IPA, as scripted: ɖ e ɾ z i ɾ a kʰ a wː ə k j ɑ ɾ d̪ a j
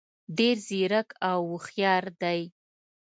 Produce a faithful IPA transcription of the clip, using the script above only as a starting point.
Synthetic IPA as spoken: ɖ e ɾ z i ɾ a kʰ a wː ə x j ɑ ɾ d̪ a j